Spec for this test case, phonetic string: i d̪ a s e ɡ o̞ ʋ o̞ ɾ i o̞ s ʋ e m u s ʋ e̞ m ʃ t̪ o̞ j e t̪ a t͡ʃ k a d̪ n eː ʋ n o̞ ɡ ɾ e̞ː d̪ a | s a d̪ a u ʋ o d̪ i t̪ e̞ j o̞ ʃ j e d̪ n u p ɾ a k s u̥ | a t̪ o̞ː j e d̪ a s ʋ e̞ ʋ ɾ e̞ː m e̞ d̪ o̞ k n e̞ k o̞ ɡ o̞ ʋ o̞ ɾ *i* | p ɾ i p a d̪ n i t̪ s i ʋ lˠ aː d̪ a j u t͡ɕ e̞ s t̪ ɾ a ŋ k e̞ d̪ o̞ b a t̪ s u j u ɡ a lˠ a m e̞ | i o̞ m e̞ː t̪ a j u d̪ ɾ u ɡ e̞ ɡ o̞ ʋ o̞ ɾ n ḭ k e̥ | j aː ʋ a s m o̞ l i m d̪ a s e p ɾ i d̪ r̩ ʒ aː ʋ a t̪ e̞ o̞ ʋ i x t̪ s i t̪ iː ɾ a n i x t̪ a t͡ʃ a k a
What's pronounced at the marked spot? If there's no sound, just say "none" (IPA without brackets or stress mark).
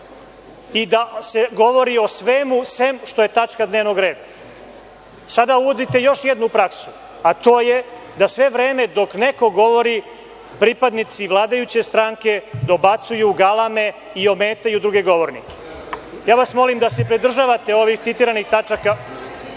i